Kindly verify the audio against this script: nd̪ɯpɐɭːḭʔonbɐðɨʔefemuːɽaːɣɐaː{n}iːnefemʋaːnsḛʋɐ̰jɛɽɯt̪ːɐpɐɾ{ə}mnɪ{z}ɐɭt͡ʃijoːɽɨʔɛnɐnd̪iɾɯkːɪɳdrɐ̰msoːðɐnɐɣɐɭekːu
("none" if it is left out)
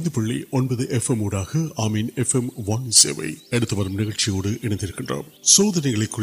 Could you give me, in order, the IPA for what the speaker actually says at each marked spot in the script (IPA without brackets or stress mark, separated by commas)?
m, ɐ, ɣ